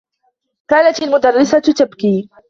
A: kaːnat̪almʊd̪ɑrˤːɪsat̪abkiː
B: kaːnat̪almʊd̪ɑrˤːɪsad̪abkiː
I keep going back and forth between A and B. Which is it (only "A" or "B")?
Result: A